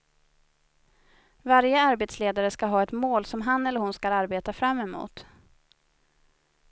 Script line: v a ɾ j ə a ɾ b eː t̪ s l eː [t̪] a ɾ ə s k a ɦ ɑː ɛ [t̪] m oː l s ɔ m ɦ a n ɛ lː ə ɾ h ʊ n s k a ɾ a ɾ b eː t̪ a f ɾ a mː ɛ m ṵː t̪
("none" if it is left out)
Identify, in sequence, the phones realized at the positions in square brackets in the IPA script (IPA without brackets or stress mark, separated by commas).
d̪, t̪